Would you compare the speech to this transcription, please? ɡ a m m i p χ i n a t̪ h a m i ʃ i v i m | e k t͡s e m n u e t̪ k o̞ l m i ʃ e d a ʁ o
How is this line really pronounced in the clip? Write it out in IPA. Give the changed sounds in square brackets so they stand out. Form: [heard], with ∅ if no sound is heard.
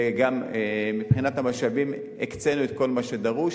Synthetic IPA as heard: ɡ a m m i p χ i n a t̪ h a m [a] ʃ [a] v i m | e k t͡s e [∅] n u e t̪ k o̞ l m [a] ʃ e d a ʁ [u]